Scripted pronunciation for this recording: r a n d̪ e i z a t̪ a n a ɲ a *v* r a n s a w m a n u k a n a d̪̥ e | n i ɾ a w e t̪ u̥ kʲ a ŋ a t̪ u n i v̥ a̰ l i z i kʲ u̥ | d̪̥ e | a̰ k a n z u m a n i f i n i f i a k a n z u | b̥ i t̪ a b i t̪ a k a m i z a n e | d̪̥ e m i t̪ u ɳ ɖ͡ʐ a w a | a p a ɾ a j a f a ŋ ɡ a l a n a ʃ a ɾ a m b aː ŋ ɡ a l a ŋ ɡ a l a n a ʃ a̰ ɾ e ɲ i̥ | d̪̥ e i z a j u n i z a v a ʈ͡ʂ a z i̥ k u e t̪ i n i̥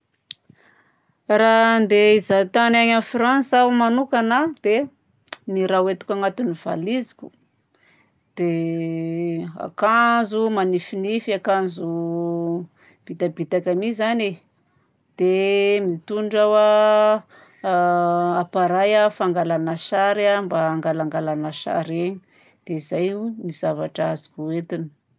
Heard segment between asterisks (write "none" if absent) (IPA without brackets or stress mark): f